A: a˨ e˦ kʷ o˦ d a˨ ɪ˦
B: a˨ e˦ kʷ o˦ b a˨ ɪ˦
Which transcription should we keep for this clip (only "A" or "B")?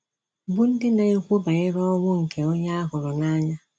B